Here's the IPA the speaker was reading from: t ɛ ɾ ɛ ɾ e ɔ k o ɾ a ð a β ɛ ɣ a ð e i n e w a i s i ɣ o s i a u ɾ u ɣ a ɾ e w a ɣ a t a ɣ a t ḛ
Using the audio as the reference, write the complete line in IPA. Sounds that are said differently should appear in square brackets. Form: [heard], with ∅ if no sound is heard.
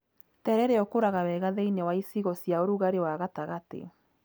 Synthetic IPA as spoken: t ɛ ɾ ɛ ɾ e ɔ k o ɾ a [ɣ] a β ɛ ɣ a ð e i n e w a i s i ɣ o s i a [o] ɾ u ɣ a ɾ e w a ɣ a t a ɣ a t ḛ